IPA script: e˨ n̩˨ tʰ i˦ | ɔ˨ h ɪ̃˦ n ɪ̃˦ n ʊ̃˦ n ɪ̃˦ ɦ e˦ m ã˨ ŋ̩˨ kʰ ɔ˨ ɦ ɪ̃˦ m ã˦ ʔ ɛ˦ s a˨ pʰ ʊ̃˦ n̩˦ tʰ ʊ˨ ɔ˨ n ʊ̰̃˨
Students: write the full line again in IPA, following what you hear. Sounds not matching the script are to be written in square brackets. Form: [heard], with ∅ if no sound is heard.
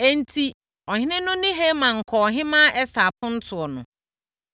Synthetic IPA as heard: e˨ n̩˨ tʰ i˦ | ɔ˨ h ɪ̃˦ n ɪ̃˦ n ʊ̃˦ n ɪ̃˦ ɦ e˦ m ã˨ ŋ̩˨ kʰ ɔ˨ ɦ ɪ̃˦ m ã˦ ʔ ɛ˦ s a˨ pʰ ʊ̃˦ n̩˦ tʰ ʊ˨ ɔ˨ n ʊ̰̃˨